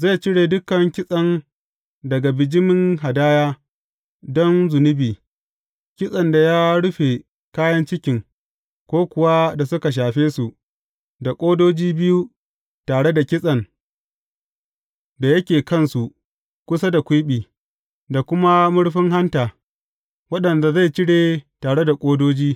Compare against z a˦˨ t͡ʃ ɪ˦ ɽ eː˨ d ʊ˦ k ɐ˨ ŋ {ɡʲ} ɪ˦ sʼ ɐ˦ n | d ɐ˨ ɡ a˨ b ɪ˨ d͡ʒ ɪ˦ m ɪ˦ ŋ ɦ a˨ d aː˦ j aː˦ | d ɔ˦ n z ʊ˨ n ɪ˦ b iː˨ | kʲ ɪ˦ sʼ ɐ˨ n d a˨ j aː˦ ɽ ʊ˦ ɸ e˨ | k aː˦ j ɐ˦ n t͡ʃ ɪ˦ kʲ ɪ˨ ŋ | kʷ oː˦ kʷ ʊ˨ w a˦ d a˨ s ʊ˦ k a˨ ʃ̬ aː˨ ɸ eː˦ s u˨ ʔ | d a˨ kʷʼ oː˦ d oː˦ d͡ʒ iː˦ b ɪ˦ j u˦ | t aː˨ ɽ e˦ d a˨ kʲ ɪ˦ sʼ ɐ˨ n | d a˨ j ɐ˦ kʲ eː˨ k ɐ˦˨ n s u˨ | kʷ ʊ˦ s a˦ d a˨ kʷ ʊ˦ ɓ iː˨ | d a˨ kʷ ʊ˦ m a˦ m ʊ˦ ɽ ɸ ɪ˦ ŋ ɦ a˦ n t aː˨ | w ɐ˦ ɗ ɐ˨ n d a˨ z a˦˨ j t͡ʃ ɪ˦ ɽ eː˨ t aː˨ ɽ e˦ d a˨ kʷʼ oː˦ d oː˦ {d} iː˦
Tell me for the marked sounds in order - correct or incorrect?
incorrect: kʲ, incorrect: d͡ʒ

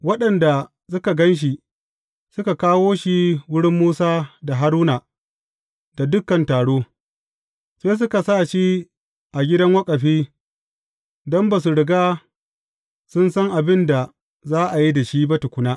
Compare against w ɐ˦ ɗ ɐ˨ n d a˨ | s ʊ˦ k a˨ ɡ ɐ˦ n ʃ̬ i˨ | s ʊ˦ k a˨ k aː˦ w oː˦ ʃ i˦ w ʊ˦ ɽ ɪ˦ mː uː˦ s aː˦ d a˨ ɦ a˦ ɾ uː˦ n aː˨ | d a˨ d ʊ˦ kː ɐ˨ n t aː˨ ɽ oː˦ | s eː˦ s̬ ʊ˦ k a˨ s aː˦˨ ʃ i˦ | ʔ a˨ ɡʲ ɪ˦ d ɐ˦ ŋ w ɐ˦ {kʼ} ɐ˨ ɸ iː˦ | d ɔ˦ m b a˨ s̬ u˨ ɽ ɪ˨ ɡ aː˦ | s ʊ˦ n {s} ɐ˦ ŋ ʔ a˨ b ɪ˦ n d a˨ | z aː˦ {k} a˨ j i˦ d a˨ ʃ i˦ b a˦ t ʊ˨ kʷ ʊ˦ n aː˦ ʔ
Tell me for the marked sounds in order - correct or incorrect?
correct, correct, incorrect: ʔ

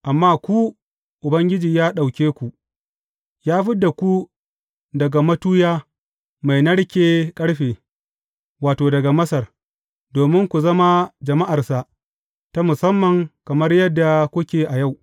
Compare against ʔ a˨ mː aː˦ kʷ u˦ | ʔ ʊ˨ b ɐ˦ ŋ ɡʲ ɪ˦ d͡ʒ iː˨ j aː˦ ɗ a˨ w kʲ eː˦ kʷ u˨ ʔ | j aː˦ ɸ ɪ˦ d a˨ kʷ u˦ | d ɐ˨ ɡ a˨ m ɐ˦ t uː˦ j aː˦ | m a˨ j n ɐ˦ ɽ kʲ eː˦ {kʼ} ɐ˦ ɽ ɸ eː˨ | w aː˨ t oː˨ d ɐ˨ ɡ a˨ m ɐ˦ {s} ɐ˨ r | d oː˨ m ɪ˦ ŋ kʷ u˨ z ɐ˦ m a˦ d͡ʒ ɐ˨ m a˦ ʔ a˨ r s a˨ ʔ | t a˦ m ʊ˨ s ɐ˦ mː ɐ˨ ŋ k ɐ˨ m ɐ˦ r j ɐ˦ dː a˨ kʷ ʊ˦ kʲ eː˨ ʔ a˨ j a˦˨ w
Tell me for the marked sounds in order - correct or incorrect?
correct, correct

